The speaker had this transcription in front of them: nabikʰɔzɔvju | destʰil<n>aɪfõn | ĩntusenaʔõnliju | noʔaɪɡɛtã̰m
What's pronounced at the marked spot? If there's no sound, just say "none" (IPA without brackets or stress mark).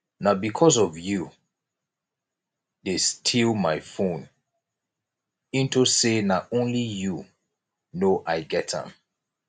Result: m